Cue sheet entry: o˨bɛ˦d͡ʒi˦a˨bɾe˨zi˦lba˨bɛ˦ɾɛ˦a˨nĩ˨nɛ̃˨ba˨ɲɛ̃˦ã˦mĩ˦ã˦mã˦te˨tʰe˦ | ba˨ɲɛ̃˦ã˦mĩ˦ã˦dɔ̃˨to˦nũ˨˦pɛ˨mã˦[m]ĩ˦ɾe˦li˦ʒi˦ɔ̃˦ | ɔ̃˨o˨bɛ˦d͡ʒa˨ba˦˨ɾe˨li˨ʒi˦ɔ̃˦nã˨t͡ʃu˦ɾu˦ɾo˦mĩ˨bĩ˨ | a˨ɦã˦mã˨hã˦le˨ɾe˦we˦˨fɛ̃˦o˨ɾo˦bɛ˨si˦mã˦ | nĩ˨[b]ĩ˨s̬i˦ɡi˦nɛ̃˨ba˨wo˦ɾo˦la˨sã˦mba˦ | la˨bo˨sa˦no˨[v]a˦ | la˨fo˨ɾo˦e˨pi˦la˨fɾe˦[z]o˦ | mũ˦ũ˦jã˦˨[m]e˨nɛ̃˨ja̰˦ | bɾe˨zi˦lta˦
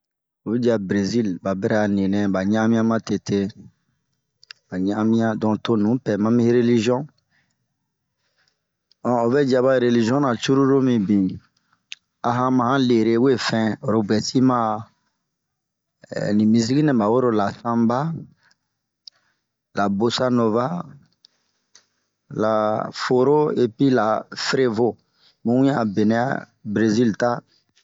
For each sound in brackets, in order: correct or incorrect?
correct, incorrect: m, correct, incorrect: v, incorrect: b

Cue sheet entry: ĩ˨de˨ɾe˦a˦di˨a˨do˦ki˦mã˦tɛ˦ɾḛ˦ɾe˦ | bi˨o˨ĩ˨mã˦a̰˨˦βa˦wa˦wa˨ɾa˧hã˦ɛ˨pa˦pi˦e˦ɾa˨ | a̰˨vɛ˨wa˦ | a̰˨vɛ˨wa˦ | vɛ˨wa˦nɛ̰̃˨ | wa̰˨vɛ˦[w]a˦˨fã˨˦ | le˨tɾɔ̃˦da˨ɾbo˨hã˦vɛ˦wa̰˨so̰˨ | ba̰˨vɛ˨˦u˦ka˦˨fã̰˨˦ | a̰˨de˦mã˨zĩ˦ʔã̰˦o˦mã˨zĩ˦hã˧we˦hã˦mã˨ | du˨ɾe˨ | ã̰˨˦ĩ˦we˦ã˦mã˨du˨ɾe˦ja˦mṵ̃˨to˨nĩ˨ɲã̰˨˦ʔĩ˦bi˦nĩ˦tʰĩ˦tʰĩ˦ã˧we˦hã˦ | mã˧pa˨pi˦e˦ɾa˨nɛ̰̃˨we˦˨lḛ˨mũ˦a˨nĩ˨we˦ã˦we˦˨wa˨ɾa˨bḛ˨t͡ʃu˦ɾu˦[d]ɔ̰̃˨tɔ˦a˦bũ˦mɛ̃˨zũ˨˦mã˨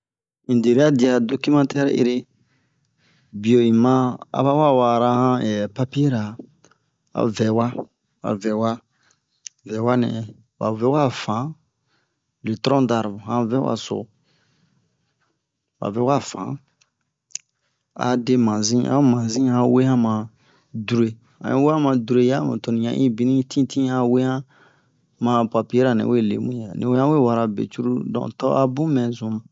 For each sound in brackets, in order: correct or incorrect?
correct, correct

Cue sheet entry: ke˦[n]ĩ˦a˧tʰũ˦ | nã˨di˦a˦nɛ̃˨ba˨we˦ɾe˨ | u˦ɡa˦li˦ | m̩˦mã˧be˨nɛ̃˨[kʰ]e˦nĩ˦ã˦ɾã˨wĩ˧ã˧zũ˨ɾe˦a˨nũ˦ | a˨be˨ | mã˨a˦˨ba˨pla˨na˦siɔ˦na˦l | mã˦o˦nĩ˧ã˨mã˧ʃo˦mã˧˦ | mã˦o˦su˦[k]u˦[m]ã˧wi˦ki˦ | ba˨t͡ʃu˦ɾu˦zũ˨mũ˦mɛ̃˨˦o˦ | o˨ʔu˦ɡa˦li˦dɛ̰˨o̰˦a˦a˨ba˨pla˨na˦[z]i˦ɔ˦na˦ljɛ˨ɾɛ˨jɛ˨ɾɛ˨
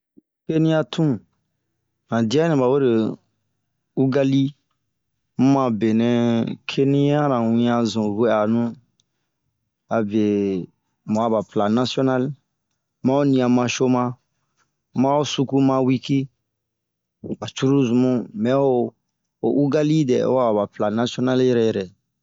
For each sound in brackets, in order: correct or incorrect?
correct, correct, correct, correct, incorrect: s

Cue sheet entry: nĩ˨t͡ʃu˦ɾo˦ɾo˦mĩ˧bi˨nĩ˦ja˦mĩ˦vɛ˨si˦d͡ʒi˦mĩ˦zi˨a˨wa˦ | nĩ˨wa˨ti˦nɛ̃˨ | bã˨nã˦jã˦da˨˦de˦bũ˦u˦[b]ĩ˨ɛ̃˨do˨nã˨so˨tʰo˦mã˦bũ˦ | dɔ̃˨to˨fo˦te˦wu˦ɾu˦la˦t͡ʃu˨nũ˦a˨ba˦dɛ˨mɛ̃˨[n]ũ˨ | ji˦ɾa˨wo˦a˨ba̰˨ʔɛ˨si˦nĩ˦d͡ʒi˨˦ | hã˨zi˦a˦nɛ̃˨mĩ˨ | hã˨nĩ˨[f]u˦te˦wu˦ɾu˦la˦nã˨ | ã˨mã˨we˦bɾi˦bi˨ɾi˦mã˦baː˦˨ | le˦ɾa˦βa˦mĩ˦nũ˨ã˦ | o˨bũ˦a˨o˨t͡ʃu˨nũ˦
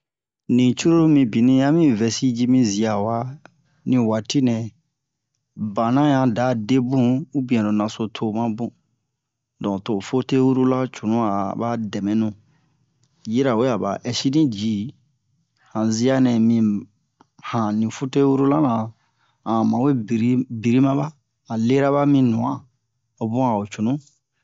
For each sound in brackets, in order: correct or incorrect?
correct, correct, correct

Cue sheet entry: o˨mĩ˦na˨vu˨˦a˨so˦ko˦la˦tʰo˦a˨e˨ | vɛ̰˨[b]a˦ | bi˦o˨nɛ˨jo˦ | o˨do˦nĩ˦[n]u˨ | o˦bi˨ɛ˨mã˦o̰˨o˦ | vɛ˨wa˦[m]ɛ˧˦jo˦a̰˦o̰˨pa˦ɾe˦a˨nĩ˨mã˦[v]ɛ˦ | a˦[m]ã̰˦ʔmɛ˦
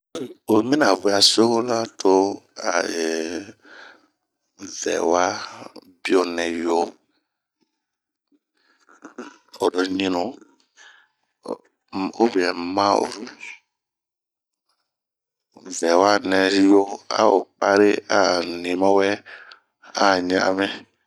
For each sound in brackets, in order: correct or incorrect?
incorrect: w, correct, incorrect: n, incorrect: w, incorrect: ɲ

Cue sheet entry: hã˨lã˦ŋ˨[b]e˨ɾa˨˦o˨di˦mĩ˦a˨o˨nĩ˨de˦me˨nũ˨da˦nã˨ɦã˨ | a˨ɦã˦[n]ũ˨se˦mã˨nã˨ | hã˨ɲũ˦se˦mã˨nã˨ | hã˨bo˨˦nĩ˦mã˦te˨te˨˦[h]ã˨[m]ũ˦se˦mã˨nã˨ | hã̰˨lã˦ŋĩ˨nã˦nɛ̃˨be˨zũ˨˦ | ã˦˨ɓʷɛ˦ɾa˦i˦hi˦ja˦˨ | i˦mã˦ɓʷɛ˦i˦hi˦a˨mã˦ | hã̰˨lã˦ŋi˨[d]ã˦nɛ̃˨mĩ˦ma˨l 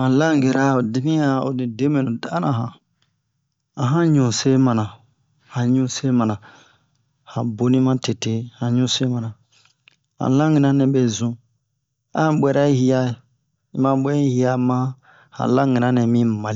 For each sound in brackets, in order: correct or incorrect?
incorrect: ɡ, incorrect: ɲ, correct, incorrect: ɲ, incorrect: n

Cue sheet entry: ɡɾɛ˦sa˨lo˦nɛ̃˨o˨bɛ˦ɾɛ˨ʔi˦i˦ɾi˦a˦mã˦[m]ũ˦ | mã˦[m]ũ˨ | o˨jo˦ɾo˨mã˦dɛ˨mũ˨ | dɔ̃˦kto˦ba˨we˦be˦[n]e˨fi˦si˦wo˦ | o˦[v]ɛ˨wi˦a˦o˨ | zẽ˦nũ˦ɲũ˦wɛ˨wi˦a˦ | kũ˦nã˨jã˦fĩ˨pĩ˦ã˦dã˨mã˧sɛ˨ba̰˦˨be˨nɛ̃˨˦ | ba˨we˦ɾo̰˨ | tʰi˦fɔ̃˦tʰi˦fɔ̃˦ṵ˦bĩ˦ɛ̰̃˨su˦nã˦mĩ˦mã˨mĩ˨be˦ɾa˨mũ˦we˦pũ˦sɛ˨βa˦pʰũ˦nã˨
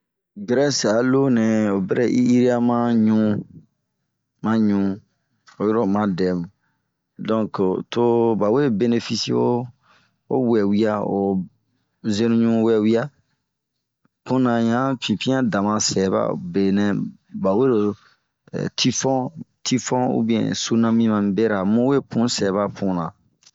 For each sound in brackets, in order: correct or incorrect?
incorrect: ɲ, incorrect: ɲ, correct, incorrect: w

